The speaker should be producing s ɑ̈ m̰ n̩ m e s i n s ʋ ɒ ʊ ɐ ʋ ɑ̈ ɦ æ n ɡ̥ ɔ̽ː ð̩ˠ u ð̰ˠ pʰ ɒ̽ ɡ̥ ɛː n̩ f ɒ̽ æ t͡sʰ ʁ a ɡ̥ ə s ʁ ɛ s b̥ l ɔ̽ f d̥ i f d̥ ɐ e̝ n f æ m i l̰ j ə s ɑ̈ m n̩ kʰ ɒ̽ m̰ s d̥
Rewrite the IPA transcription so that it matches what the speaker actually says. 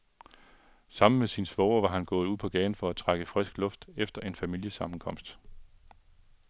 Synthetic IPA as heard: s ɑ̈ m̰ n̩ m e s i n s ʋ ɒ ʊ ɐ ʋ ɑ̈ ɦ æ n ɡ̥ ɔ̽ː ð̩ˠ u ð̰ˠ pʰ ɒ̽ ɡ̥ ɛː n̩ f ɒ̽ æ t͡sʰ ʁ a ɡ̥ ə f ʁ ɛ s ɡ̥ l ɔ̽ f d̥ e f d̥ ɐ e̝ n f æ m i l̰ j ə s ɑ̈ m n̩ kʰ ɒ̽ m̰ s d̥